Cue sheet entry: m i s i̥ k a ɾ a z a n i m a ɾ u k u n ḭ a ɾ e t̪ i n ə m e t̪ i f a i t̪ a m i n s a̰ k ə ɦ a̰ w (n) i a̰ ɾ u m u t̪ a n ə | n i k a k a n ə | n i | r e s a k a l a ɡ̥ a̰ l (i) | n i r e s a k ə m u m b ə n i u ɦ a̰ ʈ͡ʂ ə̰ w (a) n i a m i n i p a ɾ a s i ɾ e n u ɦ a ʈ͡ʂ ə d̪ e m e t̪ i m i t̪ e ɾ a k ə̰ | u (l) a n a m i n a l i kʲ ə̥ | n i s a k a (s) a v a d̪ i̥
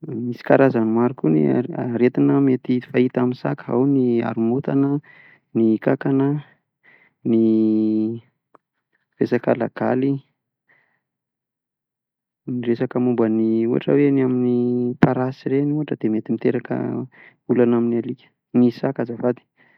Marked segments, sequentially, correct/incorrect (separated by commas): correct, correct, incorrect, correct, incorrect